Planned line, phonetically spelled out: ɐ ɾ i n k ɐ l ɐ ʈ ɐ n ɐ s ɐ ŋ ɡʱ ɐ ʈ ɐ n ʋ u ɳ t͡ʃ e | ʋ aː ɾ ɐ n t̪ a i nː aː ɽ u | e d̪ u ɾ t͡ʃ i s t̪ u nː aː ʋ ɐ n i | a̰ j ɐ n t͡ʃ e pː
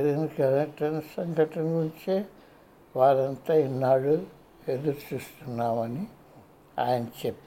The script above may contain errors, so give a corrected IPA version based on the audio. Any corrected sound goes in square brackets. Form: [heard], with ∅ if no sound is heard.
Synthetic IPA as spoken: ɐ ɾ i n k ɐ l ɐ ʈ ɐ n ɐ s ɐ ŋ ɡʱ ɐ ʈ ɐ n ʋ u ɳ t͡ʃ e | ʋ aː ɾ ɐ n t̪ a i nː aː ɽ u | e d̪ u ɾ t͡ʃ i s t̪ u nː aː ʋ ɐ n i | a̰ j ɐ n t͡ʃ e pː